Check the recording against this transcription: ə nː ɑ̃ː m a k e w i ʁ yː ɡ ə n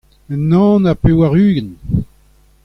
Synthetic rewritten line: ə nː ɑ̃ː n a p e w a ʁ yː ɡ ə n